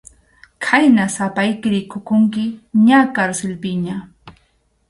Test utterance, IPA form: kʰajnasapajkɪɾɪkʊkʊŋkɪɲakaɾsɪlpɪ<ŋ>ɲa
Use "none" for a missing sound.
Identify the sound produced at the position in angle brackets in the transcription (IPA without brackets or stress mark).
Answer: none